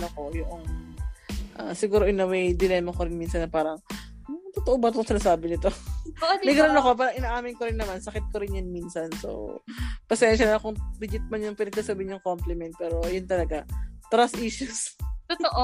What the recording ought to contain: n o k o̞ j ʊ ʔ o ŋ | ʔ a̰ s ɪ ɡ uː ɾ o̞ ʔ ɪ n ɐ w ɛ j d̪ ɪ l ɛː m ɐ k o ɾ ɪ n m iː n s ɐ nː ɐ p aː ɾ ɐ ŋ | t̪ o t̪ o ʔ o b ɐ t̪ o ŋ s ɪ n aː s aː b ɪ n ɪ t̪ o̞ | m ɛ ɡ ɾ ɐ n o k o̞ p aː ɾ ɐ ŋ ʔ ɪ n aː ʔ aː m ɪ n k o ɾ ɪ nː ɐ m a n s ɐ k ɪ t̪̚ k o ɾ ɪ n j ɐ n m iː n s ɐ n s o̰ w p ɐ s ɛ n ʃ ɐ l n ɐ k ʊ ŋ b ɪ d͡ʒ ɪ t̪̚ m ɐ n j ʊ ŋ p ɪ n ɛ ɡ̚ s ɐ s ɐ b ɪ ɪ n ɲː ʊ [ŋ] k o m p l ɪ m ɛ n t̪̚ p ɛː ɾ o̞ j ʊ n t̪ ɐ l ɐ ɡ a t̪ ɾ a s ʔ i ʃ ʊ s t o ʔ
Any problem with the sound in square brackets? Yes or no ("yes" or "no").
no